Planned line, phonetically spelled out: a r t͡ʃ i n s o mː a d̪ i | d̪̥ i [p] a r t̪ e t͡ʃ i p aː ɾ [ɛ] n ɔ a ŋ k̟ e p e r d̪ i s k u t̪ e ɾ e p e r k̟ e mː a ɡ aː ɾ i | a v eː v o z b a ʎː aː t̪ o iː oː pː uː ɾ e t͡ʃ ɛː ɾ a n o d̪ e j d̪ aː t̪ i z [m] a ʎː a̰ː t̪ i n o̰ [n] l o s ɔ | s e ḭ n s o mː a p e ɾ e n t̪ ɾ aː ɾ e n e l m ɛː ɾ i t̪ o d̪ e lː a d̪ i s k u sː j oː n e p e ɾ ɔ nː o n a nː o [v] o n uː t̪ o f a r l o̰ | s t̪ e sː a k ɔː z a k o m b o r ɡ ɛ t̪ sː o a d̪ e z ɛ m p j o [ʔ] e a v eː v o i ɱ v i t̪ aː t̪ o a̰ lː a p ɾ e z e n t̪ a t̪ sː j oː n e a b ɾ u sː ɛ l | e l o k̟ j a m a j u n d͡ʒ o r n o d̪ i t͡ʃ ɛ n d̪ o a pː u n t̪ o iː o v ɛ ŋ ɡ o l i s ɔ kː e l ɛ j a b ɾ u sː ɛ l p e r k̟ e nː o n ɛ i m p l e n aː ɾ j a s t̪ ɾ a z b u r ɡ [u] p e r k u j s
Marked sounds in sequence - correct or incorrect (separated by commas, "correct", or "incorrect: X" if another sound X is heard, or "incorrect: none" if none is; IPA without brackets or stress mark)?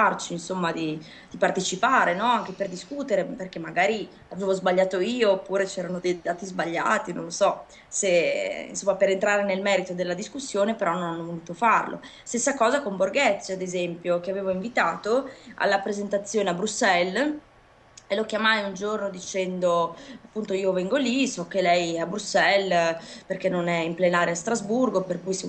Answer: correct, incorrect: e, incorrect: b, correct, correct, incorrect: k, incorrect: o